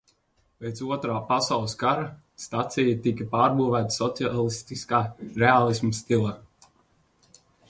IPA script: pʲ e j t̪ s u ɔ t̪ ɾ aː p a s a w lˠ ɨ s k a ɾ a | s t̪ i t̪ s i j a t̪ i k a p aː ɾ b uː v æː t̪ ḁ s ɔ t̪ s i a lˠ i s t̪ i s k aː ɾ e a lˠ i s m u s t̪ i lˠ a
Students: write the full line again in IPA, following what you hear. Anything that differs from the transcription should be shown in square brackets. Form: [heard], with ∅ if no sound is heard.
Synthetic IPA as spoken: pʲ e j t̪ s u ɔ t̪ ɾ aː p a s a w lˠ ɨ s k a ɾ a | s t̪ [a] t̪ s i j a t̪ i k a p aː ɾ b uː v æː t̪ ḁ s ɔ t̪ s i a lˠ i s t̪ i s k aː ɾ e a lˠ i s m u s t̪ i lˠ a